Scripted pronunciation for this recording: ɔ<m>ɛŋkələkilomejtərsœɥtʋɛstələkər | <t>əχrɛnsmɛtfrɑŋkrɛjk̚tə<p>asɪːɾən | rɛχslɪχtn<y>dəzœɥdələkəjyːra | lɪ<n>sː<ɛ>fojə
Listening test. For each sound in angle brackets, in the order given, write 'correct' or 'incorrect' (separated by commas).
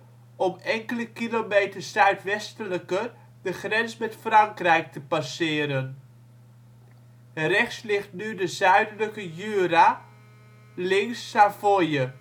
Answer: correct, incorrect, correct, correct, incorrect, incorrect